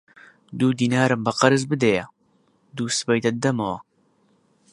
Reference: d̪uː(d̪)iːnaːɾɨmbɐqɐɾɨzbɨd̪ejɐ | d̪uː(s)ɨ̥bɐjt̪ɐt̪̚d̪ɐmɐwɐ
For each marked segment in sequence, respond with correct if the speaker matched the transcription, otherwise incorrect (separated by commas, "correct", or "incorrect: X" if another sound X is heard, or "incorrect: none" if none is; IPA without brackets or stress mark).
correct, correct